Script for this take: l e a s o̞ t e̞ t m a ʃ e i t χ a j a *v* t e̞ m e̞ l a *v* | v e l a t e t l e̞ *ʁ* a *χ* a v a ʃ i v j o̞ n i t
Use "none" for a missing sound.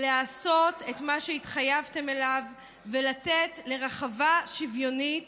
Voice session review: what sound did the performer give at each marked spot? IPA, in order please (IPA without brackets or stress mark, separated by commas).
v, v, ʁ, χ